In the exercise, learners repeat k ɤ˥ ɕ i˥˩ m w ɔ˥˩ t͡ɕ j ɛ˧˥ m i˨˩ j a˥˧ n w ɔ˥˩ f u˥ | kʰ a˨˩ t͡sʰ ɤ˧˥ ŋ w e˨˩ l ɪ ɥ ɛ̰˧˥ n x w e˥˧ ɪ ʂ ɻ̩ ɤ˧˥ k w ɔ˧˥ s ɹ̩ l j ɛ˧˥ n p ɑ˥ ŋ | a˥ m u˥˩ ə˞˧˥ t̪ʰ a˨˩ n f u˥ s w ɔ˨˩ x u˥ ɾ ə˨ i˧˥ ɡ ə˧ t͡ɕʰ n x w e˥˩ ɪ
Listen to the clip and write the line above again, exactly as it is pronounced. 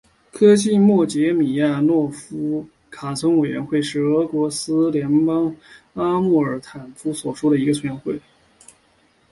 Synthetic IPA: kʰ ɤ˥ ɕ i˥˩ m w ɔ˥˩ t͡ɕ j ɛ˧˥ m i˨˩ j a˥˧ n w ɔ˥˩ f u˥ | kʰ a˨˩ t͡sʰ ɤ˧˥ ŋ w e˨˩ ɪ ɥ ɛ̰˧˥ n x w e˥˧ ɪ ʂ ɻ̩ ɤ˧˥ k w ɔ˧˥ s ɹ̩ l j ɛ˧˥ n p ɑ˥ ŋ | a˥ m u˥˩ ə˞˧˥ t̪ʰ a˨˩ n f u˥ s w ɔ˨˩ ʂ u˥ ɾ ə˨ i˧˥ ɡ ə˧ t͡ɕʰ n x w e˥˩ ɪ